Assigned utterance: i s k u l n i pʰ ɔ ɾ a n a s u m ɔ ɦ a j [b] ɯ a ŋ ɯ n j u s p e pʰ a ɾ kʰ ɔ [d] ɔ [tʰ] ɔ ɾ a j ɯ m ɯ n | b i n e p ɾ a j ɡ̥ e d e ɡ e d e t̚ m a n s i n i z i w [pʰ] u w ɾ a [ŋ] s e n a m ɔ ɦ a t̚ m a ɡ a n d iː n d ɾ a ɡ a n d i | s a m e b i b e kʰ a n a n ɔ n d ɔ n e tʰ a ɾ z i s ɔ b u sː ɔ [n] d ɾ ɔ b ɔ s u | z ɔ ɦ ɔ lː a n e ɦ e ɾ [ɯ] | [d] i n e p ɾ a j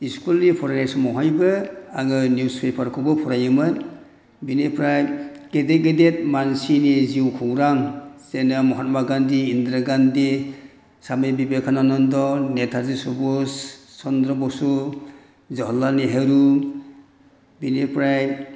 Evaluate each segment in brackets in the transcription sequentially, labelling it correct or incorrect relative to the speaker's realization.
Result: correct, incorrect: b, incorrect: pʰ, incorrect: kʰ, correct, correct, incorrect: u, incorrect: b

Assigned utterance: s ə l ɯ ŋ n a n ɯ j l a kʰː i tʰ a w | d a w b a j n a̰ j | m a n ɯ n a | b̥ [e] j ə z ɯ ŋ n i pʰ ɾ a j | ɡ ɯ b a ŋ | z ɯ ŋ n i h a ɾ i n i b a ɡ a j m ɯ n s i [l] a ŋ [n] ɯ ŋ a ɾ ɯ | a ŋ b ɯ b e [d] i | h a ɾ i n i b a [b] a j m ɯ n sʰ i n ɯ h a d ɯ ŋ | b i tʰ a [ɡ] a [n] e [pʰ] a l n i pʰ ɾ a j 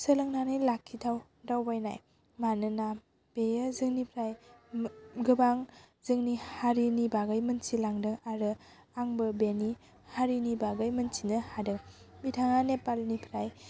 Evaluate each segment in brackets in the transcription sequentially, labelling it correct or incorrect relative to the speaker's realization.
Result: correct, correct, incorrect: d, incorrect: n, incorrect: ɡ, incorrect: ŋ, correct, incorrect: p

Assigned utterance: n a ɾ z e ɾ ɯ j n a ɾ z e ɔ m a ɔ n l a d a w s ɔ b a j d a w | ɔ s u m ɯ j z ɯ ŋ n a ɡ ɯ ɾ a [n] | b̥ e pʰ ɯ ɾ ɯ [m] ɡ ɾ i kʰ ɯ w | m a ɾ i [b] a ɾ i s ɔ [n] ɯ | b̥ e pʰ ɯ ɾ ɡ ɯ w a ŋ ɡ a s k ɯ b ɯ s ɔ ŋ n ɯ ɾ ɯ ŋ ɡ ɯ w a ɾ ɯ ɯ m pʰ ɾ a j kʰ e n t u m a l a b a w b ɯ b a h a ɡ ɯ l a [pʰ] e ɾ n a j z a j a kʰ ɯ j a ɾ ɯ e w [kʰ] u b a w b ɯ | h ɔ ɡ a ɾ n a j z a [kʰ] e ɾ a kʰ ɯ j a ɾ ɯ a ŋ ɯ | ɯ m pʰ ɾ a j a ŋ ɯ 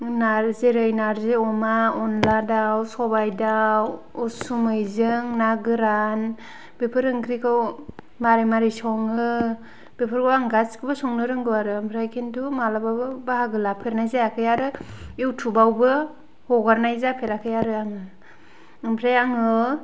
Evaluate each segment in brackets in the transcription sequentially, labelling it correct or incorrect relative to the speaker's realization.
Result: correct, incorrect: ŋ, incorrect: m, incorrect: ŋ, correct, incorrect: tʰ, incorrect: pʰ

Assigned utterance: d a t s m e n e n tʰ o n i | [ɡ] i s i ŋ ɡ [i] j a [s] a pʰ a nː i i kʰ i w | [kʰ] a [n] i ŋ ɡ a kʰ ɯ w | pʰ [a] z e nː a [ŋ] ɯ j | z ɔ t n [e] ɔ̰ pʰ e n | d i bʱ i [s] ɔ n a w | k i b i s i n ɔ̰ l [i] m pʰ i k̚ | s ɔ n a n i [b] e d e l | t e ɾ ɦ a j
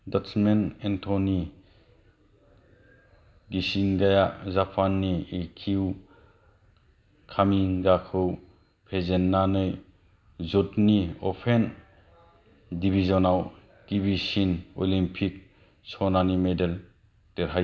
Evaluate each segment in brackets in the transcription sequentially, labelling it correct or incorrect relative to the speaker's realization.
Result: correct, incorrect: a, incorrect: z, correct, incorrect: m, incorrect: e, incorrect: n, incorrect: i, incorrect: z, correct, incorrect: m

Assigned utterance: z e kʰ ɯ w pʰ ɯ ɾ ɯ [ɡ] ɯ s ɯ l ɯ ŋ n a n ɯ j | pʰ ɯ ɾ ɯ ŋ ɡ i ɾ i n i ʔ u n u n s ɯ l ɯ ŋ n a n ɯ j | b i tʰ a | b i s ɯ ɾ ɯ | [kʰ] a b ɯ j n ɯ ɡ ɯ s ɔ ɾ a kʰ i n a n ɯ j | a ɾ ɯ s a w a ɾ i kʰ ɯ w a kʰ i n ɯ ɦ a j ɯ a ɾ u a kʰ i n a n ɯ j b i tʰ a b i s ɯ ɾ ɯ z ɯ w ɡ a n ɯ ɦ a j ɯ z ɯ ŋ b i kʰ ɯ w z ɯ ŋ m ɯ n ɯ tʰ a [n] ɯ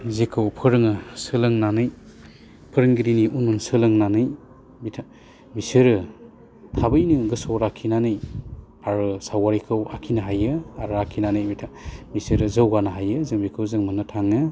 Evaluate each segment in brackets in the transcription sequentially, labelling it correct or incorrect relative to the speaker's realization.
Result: incorrect: ŋ, incorrect: tʰ, incorrect: ŋ

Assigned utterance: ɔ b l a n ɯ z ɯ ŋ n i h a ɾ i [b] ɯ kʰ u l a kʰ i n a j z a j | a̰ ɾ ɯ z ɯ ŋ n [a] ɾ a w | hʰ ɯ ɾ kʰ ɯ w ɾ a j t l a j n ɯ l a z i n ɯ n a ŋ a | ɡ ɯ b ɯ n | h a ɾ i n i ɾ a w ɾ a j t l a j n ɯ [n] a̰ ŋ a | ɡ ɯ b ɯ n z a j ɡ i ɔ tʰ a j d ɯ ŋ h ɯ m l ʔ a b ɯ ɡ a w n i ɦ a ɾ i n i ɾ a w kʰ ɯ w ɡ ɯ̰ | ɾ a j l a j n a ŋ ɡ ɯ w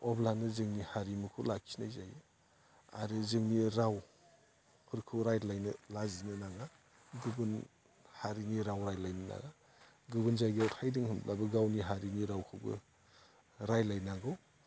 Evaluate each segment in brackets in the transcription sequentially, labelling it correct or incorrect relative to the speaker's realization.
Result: incorrect: m, incorrect: i, correct

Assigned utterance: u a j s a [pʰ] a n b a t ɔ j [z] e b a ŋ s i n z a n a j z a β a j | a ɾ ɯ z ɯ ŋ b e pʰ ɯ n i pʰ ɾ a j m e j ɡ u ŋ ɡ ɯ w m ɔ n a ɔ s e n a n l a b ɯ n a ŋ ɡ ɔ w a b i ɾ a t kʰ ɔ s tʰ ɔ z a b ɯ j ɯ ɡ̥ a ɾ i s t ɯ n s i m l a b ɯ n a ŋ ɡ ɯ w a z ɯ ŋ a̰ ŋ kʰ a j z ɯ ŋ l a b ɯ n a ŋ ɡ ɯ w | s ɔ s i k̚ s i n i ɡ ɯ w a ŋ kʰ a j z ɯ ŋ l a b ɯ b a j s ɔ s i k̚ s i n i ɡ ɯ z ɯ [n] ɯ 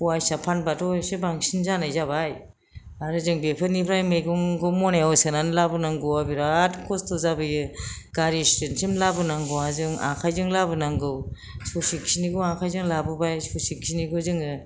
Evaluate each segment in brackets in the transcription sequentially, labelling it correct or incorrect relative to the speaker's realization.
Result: correct, incorrect: s, incorrect: ŋ

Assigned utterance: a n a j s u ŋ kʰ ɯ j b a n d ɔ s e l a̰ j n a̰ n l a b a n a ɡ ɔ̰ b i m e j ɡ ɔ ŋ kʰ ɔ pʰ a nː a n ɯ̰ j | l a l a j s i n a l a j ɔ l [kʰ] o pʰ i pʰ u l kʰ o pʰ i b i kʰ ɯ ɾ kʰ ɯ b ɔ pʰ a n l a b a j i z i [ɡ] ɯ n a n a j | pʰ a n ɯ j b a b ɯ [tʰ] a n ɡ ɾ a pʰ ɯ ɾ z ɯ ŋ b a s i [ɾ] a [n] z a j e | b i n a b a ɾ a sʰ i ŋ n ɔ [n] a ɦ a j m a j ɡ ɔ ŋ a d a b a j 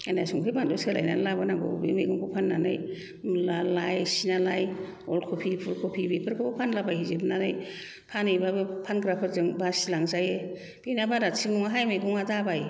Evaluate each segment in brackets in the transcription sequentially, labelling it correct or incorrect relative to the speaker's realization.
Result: correct, incorrect: b, incorrect: pʰ, incorrect: l, incorrect: ŋ, incorrect: ŋ

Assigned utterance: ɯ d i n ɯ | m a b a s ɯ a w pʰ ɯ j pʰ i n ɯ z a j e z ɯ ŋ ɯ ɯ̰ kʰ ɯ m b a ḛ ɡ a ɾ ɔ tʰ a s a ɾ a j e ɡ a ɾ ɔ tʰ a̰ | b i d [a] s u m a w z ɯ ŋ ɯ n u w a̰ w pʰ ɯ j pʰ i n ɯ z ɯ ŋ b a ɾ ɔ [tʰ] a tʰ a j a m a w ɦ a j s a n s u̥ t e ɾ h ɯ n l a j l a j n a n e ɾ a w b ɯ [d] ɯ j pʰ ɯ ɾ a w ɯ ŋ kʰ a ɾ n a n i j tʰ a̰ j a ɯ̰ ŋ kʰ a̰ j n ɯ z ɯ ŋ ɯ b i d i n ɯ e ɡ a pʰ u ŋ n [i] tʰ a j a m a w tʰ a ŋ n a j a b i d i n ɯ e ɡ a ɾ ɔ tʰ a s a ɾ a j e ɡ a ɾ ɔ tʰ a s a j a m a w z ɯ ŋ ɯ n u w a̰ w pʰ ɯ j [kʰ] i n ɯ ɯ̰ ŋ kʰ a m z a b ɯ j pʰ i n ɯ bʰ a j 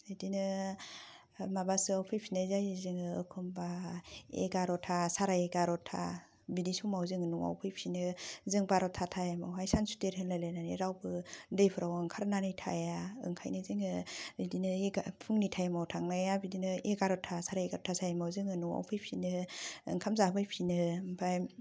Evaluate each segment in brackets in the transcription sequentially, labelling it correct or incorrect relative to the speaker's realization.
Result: incorrect: i, correct, correct, correct, incorrect: pʰ

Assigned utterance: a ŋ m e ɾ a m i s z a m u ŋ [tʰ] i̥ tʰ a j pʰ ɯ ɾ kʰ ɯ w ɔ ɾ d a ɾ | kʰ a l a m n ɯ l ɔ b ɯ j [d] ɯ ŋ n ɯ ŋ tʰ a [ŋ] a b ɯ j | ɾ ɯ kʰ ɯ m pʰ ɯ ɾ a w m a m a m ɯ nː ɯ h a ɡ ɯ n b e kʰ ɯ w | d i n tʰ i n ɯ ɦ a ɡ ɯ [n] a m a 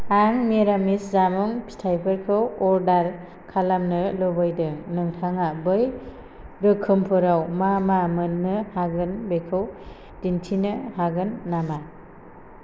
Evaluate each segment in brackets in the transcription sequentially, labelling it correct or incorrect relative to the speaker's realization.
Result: incorrect: pʰ, correct, correct, incorrect: nː

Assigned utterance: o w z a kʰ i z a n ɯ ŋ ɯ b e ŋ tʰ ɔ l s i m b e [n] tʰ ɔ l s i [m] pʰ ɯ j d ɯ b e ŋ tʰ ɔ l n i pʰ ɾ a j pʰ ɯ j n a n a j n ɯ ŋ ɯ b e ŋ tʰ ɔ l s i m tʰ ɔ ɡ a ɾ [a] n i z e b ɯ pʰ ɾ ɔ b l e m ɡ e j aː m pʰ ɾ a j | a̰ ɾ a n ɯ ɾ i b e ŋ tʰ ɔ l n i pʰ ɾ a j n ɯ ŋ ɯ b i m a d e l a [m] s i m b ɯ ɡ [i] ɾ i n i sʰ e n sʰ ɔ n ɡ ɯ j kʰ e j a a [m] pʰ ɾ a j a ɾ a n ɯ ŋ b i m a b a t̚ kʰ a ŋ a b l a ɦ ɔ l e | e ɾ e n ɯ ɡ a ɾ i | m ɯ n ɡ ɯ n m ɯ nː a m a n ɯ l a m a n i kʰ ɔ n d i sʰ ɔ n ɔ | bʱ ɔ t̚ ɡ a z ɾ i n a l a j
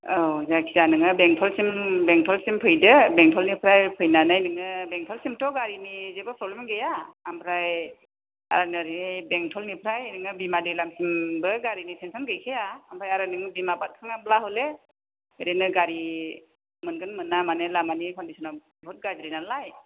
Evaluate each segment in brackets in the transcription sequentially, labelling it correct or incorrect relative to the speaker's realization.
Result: incorrect: ŋ, correct, incorrect: i, correct, incorrect: a, correct

